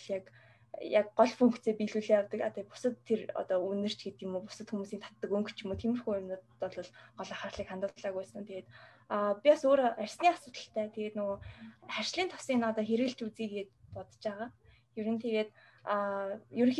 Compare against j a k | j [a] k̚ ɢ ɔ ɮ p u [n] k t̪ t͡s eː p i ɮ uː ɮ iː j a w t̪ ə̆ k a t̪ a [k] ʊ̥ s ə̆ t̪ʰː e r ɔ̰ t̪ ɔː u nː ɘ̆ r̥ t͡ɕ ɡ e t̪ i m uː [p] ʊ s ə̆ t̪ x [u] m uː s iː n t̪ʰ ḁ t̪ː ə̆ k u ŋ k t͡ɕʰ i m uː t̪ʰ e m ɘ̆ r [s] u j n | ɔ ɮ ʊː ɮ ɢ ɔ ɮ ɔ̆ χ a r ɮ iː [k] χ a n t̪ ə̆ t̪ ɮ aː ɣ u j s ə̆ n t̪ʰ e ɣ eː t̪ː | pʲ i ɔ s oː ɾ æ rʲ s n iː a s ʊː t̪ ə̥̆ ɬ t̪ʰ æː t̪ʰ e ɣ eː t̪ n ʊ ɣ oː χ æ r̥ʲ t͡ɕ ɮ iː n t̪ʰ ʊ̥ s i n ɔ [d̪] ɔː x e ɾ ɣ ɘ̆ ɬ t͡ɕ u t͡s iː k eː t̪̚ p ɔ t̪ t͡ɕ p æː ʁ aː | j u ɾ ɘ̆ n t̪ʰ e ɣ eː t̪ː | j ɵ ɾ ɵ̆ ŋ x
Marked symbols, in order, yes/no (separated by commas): yes, no, no, yes, yes, no, yes, no